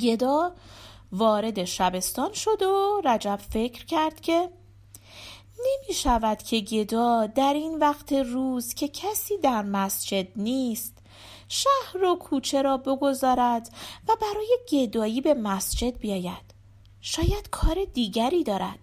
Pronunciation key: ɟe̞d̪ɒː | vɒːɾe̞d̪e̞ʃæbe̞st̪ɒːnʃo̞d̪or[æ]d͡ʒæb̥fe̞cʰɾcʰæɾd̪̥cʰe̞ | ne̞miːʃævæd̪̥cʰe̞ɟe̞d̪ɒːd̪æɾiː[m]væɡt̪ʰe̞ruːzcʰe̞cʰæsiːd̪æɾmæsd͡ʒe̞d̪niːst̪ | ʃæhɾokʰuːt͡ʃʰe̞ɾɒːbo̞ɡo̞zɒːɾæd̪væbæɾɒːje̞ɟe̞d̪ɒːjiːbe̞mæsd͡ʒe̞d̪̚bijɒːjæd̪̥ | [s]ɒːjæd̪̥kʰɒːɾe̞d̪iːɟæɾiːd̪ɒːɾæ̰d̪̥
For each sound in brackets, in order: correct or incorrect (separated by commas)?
correct, incorrect, incorrect